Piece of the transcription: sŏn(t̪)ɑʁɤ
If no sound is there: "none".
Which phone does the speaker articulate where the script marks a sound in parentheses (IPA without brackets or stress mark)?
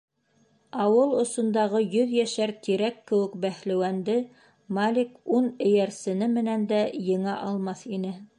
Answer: d̪